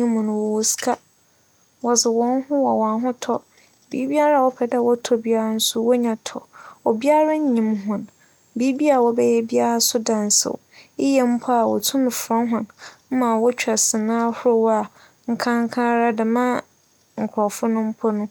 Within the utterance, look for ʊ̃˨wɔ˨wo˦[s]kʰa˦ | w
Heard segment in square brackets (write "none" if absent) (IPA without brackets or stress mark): s